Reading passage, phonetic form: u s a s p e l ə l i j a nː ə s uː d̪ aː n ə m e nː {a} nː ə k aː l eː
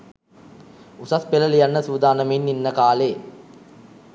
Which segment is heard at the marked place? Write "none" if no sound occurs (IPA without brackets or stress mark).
i